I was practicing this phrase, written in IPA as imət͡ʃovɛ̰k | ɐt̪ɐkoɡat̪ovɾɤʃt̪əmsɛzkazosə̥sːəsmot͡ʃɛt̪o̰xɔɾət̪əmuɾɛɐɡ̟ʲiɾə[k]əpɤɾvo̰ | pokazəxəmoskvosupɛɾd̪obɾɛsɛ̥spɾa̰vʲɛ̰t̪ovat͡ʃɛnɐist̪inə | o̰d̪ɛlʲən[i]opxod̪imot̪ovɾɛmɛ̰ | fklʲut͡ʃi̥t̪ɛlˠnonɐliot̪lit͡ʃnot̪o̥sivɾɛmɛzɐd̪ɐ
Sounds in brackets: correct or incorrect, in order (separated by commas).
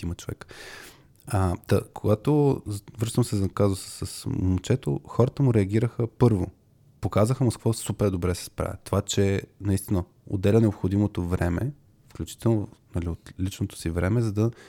incorrect, incorrect